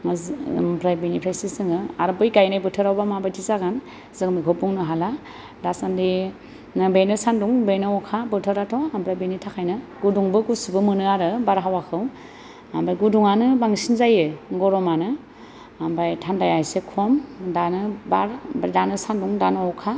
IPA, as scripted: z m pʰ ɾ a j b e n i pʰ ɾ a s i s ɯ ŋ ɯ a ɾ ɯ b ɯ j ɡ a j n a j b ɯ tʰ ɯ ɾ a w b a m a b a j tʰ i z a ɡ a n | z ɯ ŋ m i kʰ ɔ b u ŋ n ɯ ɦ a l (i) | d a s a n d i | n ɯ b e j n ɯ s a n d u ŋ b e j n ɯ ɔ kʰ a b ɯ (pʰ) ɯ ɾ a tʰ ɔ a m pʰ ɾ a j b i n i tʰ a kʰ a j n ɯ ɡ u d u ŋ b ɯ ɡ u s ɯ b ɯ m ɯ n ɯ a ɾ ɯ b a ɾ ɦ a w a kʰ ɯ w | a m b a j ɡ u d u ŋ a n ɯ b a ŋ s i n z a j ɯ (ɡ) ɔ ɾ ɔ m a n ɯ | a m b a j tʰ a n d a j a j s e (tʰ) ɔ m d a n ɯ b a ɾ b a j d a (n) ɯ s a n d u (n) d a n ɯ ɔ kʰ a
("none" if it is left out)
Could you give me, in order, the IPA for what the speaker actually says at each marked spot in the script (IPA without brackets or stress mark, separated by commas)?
a, tʰ, ɡ, kʰ, n, ŋ